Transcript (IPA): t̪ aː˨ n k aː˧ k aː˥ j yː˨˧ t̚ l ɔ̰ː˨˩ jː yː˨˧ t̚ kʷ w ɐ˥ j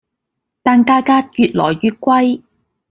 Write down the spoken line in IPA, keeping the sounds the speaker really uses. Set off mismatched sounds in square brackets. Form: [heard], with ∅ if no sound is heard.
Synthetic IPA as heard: t̪ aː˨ n k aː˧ k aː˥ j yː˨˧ t̚ l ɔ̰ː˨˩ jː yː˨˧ t̚ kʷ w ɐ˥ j